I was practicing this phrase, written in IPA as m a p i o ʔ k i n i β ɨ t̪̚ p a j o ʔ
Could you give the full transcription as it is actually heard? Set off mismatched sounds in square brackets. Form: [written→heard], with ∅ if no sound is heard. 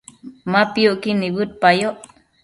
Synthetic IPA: m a p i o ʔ k i n i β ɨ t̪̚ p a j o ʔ